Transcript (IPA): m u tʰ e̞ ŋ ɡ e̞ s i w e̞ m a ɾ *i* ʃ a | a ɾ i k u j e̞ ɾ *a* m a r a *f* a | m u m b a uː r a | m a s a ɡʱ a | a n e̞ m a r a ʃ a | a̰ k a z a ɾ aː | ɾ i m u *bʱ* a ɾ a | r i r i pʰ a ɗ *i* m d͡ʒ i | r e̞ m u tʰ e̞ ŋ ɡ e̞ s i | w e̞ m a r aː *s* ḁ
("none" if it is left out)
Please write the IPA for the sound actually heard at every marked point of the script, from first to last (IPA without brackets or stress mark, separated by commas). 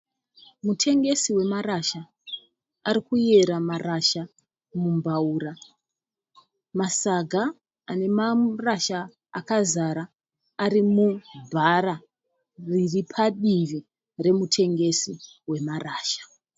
a, a, ʃ, bʱ, i, ʃ